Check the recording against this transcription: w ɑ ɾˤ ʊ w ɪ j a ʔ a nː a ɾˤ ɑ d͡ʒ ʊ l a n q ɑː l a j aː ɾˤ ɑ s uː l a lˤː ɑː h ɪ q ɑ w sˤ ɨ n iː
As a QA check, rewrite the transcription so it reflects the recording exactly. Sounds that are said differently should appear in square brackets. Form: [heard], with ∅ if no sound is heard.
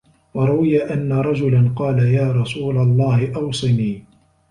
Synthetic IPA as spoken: w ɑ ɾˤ ʊ w ɪ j a ʔ a nː a ɾˤ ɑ d͡ʒ ʊ l a n q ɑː l a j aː ɾˤ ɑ s uː l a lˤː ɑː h ɪ [ʔ] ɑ w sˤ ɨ n iː